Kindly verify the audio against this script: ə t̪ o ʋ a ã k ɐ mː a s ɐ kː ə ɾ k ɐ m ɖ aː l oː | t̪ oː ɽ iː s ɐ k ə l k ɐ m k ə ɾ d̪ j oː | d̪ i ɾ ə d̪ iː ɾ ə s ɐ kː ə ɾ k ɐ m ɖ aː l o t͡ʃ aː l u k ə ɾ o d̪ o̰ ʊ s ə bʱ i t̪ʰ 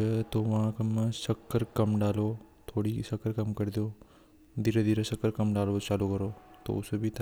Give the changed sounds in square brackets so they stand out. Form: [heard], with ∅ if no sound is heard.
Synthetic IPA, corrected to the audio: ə t̪ o ʋ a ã k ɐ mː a s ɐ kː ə ɾ k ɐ m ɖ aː l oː | [t̪ʰ] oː ɽ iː s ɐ k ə [ɾ] k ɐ m k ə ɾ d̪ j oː | d̪ i ɾ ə d̪ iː ɾ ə s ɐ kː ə ɾ k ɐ m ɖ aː l o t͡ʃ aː l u k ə ɾ o [t̪] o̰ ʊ s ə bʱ i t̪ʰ

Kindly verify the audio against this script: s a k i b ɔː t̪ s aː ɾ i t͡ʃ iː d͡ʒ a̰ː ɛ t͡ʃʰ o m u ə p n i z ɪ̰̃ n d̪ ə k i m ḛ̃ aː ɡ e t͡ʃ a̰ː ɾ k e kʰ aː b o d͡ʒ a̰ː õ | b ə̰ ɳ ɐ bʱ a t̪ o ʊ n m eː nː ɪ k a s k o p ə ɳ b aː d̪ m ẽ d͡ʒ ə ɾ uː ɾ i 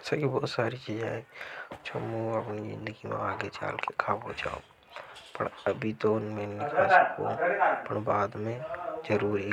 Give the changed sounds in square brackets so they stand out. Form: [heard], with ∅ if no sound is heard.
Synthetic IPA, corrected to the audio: s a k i b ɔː t̪ s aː ɾ i t͡ʃ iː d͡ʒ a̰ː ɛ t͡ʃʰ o m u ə p n i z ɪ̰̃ n d̪ ə [ɡ] i m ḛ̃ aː ɡ e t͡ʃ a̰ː [l] k e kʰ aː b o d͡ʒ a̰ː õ | [p] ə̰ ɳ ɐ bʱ [i] t̪ o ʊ n m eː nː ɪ k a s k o p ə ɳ b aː d̪ m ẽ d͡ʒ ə ɾ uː ɾ i

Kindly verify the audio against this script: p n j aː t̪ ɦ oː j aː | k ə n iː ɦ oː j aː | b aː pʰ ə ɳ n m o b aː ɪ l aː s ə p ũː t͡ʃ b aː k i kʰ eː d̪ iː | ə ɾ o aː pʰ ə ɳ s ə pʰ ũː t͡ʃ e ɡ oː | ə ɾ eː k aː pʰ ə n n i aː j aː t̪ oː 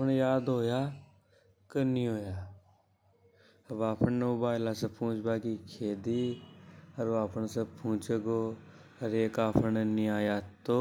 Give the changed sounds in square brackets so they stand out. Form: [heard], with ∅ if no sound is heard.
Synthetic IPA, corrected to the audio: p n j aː [d̪] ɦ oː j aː | k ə n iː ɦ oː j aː | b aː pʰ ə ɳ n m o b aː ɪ l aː s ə p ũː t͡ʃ b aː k i kʰ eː d̪ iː | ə ɾ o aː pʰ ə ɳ s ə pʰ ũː t͡ʃ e ɡ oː | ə ɾ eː k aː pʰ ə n n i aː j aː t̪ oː

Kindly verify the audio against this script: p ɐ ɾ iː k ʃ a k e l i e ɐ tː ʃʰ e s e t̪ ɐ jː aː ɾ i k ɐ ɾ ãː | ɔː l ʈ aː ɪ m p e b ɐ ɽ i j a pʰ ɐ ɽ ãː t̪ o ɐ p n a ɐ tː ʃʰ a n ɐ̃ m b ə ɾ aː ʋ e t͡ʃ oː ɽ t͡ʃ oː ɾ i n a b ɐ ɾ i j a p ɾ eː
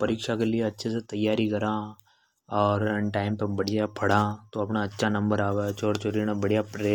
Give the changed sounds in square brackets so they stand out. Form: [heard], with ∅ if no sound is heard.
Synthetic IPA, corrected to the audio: p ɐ ɾ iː k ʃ a k e l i e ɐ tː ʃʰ e s e t̪ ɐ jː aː ɾ i k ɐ ɾ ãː | ɔː [ɾ] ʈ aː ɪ m p e b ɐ ɽ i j a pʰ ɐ ɽ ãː t̪ o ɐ p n a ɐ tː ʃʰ a n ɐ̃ m b ə ɾ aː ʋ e t͡ʃ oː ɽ t͡ʃ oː ɾ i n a b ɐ [ɽ] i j a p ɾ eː

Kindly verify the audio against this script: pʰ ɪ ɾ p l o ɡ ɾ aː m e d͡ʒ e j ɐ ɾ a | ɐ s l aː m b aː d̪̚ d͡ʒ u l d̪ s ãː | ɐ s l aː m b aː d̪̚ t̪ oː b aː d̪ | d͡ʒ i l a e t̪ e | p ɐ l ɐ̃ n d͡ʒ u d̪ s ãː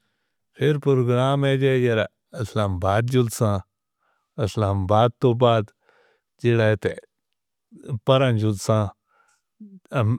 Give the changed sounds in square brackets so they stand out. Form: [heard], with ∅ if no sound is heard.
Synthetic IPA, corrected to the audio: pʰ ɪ ɾ p [ɾ] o ɡ ɾ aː m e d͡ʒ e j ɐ ɾ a | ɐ s l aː m b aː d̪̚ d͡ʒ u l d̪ s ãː | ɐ s l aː m b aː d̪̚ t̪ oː b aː d̪ | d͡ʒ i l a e t̪ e | p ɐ [ɾ] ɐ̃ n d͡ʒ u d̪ s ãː

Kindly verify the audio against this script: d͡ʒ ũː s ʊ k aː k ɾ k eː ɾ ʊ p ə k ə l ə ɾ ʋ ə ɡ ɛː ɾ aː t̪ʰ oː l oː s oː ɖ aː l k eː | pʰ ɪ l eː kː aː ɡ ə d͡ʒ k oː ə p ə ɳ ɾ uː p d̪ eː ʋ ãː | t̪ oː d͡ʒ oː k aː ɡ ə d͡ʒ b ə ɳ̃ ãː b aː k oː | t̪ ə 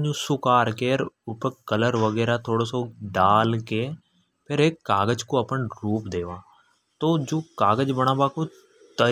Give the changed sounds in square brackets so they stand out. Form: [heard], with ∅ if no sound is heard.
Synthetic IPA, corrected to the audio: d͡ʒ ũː s ʊ k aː [∅] ɾ k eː ɾ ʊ p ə k ə l ə ɾ ʋ ə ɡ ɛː ɾ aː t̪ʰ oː [ɽ] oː s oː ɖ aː l k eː | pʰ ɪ [ɾ] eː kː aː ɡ ə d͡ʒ k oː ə p ə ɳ ɾ uː p d̪ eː ʋ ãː | t̪ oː d͡ʒ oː k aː ɡ ə d͡ʒ b ə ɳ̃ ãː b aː k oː | t̪ ə

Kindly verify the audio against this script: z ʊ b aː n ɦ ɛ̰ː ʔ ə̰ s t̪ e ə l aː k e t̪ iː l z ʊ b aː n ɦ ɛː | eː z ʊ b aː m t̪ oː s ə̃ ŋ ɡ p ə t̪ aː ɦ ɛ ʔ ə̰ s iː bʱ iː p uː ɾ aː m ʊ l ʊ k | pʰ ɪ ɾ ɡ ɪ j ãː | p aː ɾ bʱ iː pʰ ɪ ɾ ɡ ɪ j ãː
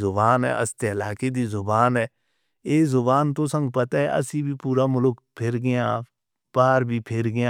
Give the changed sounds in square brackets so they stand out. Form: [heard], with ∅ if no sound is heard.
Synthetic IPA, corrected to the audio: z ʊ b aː n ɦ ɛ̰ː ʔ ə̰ s t̪ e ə l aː k e [d̪] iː [∅] z ʊ b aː n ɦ ɛː | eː z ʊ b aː [n] t̪ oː s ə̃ ŋ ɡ p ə t̪ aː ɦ ɛ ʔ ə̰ s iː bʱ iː p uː ɾ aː m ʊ l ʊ k | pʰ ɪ ɾ ɡ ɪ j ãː | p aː ɾ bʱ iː pʰ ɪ ɾ ɡ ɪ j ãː

